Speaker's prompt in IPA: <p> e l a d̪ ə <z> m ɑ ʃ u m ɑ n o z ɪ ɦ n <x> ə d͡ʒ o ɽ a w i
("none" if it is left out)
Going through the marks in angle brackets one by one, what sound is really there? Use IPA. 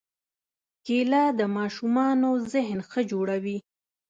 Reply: k, none, x

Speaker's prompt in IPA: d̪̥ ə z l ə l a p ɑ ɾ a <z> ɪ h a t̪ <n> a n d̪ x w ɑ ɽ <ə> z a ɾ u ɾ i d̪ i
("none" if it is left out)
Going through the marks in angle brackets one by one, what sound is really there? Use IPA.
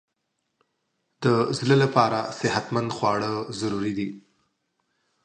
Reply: s, m, ə

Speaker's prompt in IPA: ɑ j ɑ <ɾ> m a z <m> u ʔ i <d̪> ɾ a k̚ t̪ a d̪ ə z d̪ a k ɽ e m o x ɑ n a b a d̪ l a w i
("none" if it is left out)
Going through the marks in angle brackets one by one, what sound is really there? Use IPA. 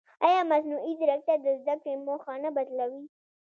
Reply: none, n, d̪

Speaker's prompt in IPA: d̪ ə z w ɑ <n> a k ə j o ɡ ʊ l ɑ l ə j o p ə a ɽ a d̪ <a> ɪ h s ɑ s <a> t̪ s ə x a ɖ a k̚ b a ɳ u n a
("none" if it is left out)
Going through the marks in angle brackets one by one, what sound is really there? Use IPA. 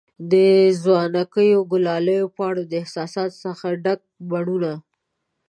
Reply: n, ə, ɑ

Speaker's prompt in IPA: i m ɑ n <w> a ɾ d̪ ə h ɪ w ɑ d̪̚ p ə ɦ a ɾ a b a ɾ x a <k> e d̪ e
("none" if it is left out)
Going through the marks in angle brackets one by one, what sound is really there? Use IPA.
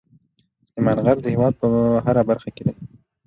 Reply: ɣ, k

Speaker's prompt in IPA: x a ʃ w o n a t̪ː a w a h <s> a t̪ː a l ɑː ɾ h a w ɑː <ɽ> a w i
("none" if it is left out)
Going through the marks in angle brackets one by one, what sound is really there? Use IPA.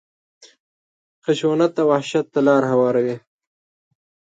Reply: ʃ, ɾ

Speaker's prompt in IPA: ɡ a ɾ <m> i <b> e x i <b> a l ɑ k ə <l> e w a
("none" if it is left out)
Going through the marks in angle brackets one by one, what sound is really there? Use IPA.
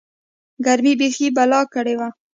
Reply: m, b, b, ɽ

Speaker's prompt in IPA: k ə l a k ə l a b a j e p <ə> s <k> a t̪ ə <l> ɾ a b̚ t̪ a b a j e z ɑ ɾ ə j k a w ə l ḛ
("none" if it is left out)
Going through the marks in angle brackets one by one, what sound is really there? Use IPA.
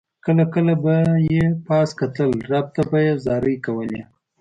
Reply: ɑ, k, l

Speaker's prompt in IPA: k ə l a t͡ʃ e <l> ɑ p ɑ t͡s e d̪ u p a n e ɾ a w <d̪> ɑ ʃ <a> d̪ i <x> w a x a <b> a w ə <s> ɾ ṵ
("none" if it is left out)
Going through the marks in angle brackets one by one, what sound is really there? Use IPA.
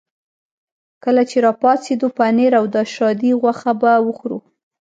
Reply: ɾ, d̪, ɑ, ɣ, b, x

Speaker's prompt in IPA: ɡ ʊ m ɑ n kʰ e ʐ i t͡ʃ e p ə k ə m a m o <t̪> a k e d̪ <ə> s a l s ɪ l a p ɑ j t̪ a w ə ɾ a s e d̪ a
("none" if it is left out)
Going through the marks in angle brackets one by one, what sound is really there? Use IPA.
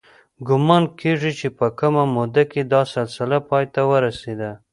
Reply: d̪, ɑ

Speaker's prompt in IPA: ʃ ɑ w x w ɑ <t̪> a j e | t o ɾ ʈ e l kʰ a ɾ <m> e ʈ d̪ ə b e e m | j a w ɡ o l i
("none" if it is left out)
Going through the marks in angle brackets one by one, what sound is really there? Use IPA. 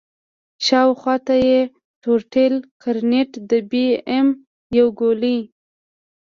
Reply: t̪, n

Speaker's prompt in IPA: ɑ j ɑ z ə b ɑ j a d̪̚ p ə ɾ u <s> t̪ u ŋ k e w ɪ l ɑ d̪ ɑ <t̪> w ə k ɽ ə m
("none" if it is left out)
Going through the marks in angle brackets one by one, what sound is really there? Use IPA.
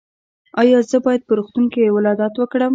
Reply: x, t̪

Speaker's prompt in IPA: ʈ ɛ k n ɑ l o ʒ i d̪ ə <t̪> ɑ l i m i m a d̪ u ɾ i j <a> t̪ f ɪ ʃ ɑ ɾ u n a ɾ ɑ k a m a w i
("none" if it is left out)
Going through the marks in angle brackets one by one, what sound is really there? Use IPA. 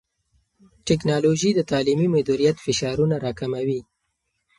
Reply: t̪, a

